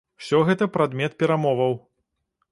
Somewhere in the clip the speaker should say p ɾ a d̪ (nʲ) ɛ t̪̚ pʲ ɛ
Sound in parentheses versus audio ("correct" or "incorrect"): incorrect